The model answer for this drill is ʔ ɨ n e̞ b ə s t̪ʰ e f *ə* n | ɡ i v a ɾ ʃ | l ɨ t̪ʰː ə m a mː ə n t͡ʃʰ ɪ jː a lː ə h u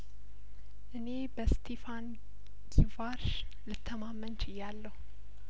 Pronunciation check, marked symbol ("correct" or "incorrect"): incorrect